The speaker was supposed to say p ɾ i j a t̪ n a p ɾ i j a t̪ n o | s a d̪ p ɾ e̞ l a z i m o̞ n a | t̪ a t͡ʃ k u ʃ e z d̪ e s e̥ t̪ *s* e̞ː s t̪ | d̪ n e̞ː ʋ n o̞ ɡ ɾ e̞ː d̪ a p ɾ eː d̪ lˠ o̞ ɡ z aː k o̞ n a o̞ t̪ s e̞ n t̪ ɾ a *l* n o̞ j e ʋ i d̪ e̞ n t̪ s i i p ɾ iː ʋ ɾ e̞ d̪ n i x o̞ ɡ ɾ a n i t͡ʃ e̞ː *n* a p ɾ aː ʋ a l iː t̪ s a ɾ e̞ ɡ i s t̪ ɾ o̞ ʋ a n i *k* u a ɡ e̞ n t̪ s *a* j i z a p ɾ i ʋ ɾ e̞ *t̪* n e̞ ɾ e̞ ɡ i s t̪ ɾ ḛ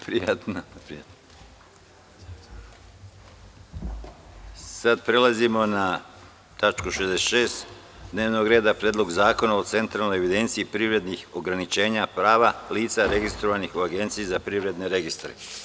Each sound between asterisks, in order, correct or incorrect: incorrect, correct, incorrect, incorrect, incorrect, incorrect

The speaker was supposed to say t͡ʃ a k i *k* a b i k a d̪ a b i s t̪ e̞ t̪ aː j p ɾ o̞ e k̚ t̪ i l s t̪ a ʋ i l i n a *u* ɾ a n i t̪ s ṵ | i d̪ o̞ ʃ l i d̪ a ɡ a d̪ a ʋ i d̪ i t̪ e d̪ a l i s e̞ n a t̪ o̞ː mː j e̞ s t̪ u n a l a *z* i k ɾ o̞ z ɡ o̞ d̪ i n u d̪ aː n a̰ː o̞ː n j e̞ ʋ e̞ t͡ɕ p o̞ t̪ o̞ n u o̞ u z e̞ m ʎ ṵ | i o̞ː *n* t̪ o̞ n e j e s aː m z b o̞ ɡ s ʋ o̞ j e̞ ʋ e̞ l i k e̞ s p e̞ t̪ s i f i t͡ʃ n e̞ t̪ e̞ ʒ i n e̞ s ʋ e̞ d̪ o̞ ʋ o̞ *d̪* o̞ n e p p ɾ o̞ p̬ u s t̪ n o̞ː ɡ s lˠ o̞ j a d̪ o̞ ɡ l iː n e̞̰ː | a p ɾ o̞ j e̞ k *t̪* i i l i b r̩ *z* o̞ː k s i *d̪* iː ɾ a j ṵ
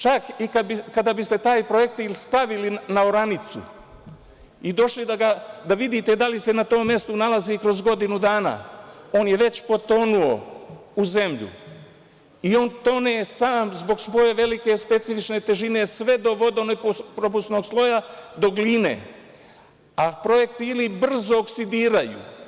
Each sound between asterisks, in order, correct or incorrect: correct, incorrect, correct, correct, correct, correct, correct, correct

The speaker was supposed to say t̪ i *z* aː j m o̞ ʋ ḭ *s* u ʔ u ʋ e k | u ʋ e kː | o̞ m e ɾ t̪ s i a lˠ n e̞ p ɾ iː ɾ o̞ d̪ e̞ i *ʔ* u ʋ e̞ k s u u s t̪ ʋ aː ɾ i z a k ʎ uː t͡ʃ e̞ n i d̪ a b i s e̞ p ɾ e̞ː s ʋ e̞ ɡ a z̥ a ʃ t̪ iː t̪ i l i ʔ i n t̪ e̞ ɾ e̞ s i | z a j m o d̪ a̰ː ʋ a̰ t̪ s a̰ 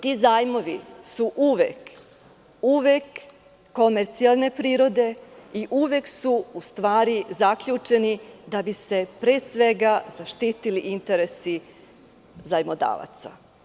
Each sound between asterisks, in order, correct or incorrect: correct, correct, correct

